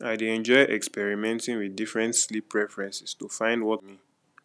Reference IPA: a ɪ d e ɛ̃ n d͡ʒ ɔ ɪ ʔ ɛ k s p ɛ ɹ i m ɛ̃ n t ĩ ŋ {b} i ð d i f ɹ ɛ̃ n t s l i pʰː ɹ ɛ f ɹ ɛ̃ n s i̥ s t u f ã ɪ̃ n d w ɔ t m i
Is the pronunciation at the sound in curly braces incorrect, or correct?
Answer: incorrect